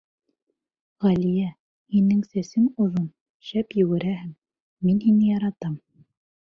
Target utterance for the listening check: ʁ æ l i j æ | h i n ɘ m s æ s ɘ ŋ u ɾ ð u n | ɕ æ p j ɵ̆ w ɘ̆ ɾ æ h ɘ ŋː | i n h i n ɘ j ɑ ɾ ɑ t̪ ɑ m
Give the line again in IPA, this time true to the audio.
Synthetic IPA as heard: ʁ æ l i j æ | h i n ɘ ŋ s æ s ɘ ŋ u ð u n | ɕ æ p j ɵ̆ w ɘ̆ ɾ æ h ɘ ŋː | i n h i n ɘ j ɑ ɾ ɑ t̪ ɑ m